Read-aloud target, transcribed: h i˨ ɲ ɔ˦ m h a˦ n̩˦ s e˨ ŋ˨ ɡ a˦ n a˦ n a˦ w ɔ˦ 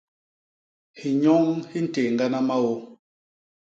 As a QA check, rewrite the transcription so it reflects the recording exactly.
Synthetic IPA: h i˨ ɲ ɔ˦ ŋ h i˦ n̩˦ t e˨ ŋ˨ ɡ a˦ n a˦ m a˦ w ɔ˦